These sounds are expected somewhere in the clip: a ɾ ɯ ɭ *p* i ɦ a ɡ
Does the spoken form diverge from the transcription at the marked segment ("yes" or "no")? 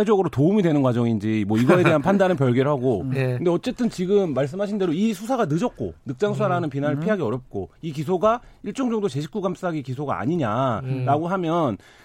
yes